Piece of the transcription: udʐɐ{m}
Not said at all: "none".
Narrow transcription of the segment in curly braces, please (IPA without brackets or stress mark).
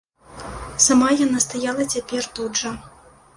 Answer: none